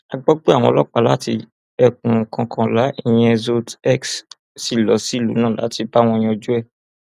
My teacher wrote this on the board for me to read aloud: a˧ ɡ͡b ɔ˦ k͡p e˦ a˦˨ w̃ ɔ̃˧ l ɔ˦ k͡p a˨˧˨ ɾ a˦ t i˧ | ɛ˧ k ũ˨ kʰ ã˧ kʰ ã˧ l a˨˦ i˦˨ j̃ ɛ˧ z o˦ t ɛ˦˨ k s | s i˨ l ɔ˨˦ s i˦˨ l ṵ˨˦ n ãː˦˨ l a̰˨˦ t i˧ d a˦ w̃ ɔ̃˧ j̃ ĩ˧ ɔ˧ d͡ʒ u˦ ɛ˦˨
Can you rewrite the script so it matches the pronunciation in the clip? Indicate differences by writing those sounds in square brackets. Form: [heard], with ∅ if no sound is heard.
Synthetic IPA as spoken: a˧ ɡ͡b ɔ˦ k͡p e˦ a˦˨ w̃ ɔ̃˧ l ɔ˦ k͡p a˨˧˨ [l] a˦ t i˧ | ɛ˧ k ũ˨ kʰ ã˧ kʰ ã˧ l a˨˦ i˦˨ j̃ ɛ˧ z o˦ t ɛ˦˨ k s | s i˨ l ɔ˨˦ s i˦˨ l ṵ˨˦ n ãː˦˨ l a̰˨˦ t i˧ [b] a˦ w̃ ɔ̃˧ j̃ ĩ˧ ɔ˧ d͡ʒ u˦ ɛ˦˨